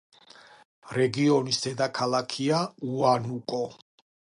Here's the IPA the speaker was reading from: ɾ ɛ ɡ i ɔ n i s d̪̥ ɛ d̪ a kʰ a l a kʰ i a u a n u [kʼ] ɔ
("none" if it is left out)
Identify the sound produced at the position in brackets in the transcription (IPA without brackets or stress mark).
kʼ